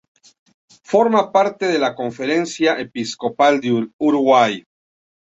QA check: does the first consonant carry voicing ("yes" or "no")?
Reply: no